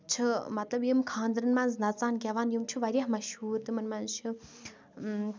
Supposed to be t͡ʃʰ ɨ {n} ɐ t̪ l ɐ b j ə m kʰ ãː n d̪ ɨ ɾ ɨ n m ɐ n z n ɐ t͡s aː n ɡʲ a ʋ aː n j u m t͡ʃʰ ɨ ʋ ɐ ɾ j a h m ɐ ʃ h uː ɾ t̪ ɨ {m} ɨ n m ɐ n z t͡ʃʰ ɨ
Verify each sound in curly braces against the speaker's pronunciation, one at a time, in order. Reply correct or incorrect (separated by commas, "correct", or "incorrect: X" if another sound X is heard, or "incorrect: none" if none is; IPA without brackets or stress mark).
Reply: incorrect: m, correct